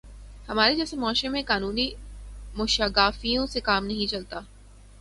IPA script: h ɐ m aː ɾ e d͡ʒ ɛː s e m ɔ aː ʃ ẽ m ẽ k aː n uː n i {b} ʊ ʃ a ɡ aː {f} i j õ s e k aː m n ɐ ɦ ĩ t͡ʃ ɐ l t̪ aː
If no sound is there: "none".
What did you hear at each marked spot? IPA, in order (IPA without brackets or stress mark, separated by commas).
m, f